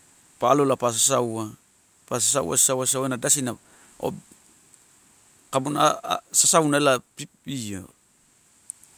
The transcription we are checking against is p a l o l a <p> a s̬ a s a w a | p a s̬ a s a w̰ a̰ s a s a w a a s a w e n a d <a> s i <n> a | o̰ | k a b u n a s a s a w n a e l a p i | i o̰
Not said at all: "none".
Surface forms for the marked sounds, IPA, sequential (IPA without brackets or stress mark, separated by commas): p, a, n